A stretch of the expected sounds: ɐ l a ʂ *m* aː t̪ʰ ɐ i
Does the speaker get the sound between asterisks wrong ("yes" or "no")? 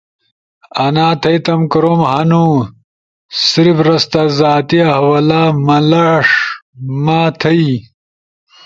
no